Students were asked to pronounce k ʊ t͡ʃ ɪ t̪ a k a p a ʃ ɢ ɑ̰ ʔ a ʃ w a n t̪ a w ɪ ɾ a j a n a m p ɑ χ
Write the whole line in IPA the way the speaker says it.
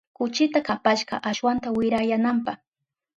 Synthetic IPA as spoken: k ʊ t͡ʃ ɪ t̪ a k a p a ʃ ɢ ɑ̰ ʔ a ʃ w a n t̪ a w ɪ ɾ a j a n a m p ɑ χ